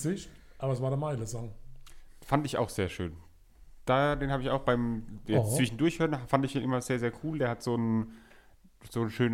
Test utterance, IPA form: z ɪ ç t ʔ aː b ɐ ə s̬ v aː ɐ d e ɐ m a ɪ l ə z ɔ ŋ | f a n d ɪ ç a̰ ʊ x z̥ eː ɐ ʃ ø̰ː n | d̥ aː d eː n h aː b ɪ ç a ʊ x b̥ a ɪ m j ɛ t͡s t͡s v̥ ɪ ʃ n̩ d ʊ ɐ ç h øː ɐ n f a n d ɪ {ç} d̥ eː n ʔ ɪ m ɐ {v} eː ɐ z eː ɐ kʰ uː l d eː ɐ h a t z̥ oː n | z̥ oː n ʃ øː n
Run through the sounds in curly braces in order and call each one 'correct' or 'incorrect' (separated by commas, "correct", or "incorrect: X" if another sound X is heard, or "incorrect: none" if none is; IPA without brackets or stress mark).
correct, incorrect: z